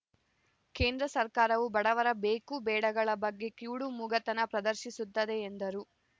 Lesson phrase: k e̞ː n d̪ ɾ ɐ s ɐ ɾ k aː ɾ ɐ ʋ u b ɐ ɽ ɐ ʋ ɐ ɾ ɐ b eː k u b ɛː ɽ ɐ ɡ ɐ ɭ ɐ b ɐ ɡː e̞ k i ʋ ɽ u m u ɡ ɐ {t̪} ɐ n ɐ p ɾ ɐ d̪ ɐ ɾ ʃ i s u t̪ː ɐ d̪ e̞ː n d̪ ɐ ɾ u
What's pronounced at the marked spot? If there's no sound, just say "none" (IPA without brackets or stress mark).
t̪